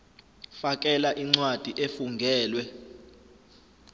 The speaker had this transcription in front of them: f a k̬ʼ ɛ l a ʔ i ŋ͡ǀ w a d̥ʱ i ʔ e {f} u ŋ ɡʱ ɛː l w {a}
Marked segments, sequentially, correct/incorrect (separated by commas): correct, incorrect